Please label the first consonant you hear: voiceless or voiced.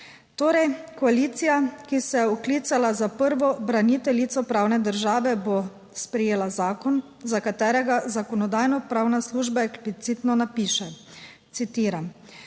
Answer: voiceless